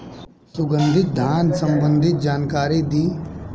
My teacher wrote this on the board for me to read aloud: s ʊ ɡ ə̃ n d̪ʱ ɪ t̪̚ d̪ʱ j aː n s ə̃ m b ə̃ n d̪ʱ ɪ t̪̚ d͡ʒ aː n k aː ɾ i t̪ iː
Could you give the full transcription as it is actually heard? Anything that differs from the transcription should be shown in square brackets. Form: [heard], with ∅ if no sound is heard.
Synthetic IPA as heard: s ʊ ɡ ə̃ n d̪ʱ ɪ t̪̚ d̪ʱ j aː n s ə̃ m b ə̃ n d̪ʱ ɪ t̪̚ d͡ʒ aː n k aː ɾ i [d̪] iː